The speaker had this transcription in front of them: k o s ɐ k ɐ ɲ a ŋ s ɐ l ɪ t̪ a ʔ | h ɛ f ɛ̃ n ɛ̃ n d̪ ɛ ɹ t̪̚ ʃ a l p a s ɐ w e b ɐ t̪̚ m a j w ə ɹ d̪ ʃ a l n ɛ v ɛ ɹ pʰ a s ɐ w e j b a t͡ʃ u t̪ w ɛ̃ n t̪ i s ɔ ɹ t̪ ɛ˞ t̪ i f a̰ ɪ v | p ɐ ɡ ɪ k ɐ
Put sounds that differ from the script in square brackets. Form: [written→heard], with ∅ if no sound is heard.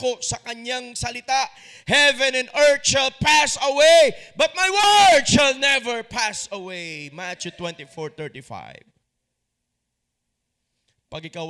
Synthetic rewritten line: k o s ɐ k ɐ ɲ a ŋ s ɐ l ɪ t̪ a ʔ | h ɛ [f→v] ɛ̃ n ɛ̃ n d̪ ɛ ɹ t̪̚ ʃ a l p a s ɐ w e b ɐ t̪̚ m a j w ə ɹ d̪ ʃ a l n ɛ v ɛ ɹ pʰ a s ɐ w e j [b→m] a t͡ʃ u t̪ w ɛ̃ n t̪ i [s→f] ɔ ɹ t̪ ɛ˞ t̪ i f a̰ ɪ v | p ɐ ɡ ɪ k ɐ